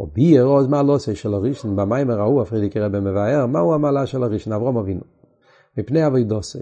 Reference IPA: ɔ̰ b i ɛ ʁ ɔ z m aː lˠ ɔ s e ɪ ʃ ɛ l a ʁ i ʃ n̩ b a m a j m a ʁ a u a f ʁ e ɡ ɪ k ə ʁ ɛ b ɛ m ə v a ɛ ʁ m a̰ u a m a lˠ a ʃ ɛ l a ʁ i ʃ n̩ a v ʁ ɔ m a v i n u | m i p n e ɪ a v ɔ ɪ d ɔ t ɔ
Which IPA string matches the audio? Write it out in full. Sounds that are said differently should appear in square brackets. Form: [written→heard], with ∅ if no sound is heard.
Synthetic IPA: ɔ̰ b i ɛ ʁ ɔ z m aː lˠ ɔ s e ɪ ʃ ɛ l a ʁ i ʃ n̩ b a m a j m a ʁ a u a f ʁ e [ɡ→d] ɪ k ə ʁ ɛ b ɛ m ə v a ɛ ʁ m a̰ u a m a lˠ a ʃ ɛ l a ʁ i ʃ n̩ a v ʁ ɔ m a v i n u | m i p n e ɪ a v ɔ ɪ d ɔ [t→s] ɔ